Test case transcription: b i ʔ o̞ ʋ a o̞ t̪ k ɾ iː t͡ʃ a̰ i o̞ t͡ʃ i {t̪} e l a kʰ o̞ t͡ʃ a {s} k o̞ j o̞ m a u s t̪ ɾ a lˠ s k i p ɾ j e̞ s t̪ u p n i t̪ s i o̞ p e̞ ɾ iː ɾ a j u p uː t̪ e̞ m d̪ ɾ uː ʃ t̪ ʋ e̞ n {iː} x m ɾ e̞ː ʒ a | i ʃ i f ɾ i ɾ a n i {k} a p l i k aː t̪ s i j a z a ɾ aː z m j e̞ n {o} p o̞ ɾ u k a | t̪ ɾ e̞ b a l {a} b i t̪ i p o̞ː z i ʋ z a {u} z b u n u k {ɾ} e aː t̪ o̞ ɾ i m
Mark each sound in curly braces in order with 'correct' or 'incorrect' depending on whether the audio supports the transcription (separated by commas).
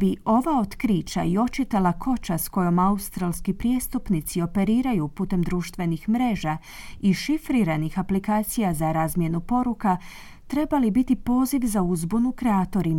correct, correct, incorrect, incorrect, incorrect, incorrect, correct, correct